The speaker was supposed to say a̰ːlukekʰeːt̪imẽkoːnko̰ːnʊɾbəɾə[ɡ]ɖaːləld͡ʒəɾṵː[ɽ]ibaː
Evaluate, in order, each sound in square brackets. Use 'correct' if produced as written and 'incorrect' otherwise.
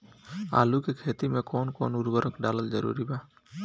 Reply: incorrect: k, incorrect: ɾ

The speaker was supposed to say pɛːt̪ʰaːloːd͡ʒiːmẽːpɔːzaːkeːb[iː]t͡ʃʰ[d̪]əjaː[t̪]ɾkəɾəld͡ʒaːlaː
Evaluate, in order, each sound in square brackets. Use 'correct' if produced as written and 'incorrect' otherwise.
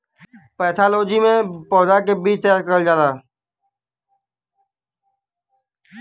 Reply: correct, incorrect: t̪, incorrect: none

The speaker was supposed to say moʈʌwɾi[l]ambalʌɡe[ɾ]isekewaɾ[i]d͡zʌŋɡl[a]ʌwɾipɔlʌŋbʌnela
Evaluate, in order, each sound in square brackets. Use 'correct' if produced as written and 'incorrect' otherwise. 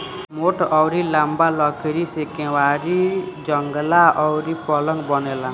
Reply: correct, correct, correct, correct

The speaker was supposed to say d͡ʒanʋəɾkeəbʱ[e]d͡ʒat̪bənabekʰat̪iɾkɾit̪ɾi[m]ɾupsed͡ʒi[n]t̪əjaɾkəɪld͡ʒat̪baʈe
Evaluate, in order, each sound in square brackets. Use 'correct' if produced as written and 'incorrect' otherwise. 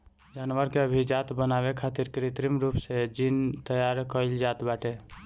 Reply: incorrect: i, correct, correct

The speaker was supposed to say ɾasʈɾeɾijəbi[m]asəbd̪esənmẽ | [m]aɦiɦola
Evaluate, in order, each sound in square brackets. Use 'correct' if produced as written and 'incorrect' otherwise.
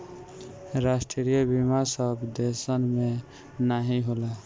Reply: correct, incorrect: n

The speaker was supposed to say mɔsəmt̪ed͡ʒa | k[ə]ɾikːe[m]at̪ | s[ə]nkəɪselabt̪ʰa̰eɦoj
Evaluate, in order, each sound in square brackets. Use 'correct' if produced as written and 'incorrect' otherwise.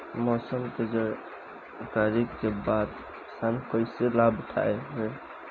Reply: incorrect: a, incorrect: b, incorrect: a

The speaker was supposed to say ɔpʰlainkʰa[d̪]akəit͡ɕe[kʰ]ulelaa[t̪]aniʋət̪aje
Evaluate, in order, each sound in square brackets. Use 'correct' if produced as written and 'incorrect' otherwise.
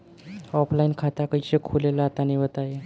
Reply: incorrect: t̪, correct, correct

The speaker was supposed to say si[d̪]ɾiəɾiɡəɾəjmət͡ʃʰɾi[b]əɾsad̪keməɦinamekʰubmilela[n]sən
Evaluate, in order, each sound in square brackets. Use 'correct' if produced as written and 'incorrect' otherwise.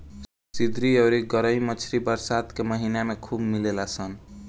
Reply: correct, correct, incorrect: none

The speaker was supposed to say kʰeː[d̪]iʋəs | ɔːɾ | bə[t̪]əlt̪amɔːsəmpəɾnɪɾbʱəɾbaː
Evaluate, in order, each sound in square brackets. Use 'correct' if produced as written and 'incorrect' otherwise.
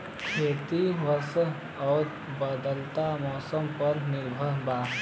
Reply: incorrect: t̪, incorrect: d̪

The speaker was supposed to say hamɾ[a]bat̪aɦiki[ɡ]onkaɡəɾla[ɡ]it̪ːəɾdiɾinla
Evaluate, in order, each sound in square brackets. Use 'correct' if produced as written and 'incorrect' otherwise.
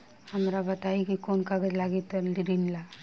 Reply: correct, incorrect: k, correct

